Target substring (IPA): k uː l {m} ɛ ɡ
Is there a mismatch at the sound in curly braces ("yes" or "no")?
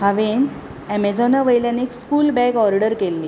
yes